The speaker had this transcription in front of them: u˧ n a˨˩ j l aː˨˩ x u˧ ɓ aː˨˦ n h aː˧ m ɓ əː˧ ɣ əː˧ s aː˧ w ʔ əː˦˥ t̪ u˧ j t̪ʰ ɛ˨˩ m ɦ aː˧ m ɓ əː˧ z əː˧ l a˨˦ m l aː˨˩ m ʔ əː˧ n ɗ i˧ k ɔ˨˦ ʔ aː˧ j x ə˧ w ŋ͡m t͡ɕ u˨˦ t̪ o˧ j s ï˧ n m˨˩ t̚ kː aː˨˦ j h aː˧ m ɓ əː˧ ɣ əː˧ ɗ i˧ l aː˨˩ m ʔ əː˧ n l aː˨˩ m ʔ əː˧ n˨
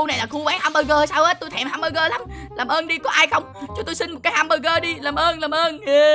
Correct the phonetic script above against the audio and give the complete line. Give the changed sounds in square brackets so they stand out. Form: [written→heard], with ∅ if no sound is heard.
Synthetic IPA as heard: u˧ n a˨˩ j l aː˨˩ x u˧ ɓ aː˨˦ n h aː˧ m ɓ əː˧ ɣ əː˧ s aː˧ w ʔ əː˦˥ t̪ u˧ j t̪ʰ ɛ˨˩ m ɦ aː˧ m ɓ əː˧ [z→ɣ] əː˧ l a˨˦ m l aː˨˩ m ʔ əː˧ n ɗ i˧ k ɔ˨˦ ʔ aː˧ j x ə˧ w ŋ͡m t͡ɕ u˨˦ t̪ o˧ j s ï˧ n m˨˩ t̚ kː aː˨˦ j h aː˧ m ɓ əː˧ ɣ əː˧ ɗ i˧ l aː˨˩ m ʔ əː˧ n l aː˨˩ m ʔ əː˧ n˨

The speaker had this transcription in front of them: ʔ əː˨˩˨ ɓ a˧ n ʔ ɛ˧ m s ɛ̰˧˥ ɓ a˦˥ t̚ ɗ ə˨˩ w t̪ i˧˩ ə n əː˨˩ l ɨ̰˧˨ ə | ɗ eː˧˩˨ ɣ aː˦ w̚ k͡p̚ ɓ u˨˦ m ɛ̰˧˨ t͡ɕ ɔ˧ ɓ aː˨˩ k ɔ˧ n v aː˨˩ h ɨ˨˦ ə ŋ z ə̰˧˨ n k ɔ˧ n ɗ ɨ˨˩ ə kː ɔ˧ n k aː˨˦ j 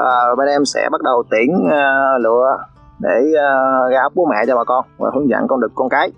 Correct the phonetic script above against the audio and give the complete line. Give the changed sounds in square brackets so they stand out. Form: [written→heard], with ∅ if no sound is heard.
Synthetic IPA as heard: ʔ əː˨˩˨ ɓ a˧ n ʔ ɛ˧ m s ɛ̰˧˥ ɓ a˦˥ t̚ ɗ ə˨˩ w t̪ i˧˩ ə n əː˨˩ l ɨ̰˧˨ ə | ɗ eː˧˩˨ ɣ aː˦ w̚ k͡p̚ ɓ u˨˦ m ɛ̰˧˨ t͡ɕ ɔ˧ ɓ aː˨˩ k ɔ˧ n v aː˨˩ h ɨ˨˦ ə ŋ z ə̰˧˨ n k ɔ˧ n ɗ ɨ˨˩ ə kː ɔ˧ n k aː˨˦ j

